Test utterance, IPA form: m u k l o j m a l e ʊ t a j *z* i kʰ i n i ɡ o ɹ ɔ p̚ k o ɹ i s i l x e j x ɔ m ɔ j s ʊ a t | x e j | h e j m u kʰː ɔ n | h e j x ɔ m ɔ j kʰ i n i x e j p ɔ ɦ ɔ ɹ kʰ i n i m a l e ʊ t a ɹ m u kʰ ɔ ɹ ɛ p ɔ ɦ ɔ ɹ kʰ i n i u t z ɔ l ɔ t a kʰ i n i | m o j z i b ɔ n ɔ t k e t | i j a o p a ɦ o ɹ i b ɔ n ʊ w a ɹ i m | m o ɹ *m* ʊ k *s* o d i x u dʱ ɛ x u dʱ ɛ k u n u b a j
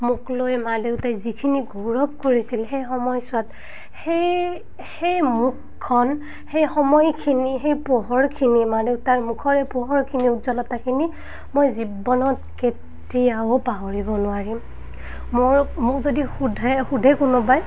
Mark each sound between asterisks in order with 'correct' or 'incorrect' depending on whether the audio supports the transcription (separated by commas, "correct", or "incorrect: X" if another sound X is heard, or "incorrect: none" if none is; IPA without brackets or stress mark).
correct, correct, incorrect: z